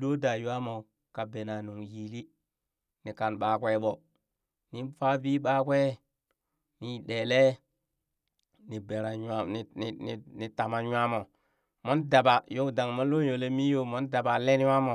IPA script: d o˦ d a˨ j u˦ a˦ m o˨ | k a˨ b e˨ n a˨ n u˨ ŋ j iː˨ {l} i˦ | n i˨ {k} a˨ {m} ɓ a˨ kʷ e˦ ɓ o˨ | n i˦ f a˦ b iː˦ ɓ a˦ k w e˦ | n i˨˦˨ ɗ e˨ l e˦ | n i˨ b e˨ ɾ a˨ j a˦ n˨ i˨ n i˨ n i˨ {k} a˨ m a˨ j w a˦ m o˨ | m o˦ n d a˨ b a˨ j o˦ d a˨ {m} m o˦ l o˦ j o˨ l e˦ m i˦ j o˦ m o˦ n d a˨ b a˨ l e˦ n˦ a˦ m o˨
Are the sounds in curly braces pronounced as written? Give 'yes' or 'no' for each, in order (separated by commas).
yes, yes, no, no, no